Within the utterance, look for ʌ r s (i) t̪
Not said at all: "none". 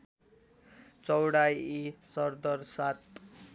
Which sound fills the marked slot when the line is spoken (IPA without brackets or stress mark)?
a